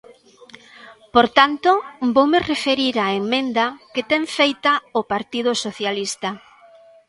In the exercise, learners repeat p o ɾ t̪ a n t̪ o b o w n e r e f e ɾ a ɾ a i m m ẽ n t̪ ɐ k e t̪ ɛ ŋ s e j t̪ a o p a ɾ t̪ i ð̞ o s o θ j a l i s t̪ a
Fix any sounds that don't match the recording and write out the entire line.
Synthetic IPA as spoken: p o ɾ t̪ a n t̪ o b o w m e r e f e ɾ i ɾ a e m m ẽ n d̪ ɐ k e t̪ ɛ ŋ f e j t̪ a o p a ɾ t̪ i ð̞ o s o θ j a l i s t̪ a